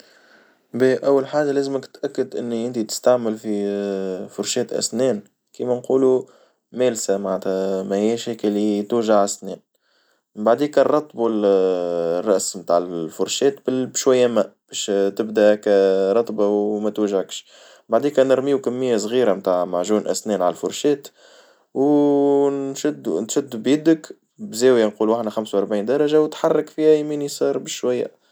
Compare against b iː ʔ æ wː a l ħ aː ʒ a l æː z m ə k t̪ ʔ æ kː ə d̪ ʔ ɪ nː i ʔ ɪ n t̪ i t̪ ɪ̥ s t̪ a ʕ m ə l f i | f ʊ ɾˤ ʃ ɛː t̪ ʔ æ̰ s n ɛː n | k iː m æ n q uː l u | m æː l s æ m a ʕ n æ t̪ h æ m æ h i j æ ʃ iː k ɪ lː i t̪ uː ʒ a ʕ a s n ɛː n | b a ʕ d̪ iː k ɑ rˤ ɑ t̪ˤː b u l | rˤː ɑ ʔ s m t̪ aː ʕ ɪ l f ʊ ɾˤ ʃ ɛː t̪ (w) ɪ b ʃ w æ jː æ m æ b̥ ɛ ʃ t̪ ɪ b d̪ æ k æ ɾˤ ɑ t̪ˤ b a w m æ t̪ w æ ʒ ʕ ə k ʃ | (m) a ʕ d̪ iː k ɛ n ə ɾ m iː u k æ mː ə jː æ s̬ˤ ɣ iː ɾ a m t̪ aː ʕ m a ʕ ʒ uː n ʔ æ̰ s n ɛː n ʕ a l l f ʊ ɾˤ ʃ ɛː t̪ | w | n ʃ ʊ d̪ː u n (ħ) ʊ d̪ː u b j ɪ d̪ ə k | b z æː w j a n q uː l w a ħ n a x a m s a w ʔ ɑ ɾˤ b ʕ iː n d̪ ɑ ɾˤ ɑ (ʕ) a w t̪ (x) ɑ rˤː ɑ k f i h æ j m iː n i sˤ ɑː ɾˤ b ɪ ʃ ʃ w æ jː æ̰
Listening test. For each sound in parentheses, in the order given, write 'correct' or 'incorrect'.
incorrect: b, incorrect: b, incorrect: ʃ, incorrect: ʒ, incorrect: ħ

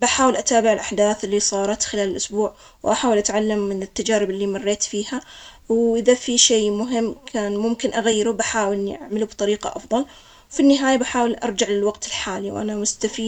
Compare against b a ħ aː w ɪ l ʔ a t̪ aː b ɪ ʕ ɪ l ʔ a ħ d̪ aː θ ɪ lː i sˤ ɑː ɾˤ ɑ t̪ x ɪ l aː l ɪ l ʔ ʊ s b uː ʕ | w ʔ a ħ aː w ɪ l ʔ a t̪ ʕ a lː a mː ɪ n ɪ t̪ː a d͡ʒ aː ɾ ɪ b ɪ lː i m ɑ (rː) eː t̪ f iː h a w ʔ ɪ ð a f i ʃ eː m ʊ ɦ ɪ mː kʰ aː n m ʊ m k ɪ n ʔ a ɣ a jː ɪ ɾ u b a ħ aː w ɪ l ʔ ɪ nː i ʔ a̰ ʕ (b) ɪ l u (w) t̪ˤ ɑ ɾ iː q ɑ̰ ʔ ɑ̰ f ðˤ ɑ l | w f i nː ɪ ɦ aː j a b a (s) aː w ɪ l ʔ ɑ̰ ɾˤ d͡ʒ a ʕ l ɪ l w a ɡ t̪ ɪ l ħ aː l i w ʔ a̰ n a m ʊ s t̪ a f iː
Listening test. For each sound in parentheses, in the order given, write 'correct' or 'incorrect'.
correct, incorrect: m, incorrect: b, incorrect: ħ

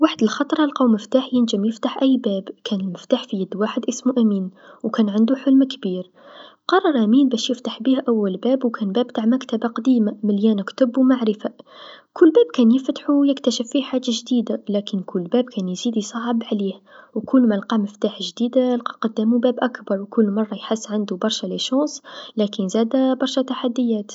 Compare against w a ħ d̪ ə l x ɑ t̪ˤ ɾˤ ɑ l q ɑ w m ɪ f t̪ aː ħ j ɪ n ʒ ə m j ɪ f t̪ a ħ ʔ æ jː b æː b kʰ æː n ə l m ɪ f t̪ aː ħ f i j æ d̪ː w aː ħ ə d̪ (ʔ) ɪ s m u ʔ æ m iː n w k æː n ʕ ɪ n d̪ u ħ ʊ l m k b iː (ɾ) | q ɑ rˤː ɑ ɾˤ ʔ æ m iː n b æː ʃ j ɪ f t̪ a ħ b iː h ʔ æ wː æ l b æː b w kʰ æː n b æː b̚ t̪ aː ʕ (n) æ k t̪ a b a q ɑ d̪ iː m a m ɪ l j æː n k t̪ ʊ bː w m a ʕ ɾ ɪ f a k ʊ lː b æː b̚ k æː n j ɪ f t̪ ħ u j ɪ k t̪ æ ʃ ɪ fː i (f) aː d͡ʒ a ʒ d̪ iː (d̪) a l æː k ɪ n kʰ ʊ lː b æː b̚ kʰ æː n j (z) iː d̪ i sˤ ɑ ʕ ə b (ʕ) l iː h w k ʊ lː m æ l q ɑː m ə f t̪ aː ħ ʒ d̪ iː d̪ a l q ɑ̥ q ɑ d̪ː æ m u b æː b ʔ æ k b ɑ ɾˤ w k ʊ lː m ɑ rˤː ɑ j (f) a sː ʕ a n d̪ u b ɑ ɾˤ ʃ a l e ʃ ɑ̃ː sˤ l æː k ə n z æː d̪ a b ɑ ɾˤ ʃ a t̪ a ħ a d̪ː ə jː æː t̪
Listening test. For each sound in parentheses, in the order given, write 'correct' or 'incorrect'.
correct, correct, incorrect: m, incorrect: ħ, correct, correct, correct, incorrect: ħ

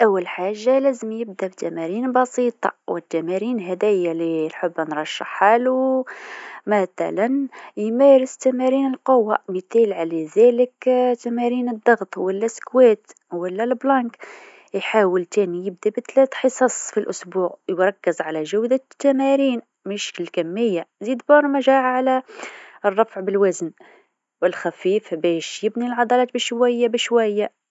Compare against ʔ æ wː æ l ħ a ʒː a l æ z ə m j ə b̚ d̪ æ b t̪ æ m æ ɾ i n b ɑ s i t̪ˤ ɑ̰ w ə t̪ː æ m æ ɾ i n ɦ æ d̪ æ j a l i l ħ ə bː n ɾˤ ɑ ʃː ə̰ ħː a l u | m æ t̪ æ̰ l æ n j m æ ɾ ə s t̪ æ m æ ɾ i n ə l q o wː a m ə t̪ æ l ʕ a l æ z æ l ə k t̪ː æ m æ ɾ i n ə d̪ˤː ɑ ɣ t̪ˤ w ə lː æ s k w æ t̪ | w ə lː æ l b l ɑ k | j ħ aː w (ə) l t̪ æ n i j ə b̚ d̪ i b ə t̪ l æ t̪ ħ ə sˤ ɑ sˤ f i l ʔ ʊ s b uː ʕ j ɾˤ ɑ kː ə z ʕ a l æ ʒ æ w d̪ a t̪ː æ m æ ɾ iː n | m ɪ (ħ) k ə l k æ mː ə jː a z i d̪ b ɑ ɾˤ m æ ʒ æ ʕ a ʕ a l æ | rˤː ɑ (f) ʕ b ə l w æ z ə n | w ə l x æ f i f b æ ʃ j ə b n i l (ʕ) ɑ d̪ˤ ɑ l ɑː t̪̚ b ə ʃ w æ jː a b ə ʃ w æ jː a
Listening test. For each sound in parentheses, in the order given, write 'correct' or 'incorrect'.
correct, incorrect: ʃ, correct, correct

